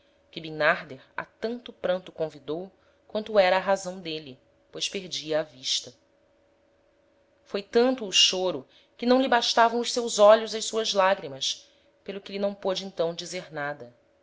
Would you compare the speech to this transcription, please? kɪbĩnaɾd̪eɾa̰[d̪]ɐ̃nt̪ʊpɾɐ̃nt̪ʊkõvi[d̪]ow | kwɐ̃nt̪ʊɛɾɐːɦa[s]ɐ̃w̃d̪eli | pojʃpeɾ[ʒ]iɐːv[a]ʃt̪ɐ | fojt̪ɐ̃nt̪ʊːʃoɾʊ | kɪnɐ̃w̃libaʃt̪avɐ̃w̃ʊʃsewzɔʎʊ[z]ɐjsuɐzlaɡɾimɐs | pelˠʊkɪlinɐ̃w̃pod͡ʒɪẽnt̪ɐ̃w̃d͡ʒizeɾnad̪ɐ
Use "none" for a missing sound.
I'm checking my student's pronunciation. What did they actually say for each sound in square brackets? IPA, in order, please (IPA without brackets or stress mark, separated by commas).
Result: t̪, d̪, z, d͡ʒ, i, z